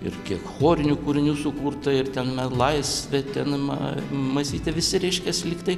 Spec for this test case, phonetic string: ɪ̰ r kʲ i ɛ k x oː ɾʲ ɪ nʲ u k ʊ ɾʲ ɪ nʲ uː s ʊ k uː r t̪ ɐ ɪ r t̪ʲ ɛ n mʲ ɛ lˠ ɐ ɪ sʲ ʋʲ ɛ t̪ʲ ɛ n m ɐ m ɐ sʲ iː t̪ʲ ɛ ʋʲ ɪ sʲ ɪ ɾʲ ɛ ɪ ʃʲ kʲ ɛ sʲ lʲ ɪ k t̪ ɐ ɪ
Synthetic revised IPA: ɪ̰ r kʲ i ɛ k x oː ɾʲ ɪ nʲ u k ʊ ɾʲ ɪ nʲ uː s ʊ k uː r t̪ ɐ ɪ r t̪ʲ ɛ n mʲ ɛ lˠ ɐ ɪ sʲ ʋʲ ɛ t̪ʲ ɛ n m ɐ m ɐ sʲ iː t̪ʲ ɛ ʋʲ ɪ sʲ ɪ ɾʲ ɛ ɪ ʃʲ kʲ ɛ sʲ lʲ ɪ k t̪ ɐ ɪ